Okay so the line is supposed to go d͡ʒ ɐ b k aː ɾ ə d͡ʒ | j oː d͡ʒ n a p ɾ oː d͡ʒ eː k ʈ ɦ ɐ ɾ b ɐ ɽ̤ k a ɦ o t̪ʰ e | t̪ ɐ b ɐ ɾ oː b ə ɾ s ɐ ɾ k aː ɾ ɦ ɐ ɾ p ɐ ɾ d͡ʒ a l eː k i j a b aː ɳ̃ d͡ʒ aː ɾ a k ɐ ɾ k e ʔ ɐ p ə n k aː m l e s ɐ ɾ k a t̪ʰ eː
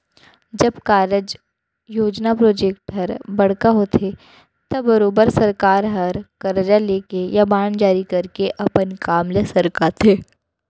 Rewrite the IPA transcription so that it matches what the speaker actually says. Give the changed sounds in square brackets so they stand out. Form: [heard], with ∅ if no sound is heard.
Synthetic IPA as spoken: d͡ʒ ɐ b k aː ɾ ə d͡ʒ | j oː d͡ʒ n a p ɾ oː d͡ʒ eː k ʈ ɦ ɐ ɾ b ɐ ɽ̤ k a ɦ o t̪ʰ e | t̪ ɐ b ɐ ɾ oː b ə ɾ s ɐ ɾ k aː ɾ ɦ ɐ ɾ [k] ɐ ɾ d͡ʒ a l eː k [e] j a b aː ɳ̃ d͡ʒ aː ɾ [i] k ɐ ɾ k e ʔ ɐ p ə n k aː m l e s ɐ ɾ k a t̪ʰ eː